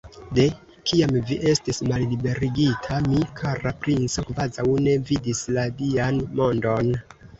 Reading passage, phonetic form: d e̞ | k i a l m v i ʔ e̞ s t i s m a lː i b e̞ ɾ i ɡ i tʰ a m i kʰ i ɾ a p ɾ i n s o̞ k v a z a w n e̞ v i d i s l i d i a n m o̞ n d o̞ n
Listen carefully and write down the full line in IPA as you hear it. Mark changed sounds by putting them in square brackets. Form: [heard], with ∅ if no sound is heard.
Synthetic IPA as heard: d e̞ | k i a [∅] m v i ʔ e̞ s t i s m a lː i b e̞ ɾ i ɡ i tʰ a m i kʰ [a] ɾ a p ɾ i n s o̞ k v a z a w n e̞ v i d i s l [a] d i a n m o̞ n d o̞ n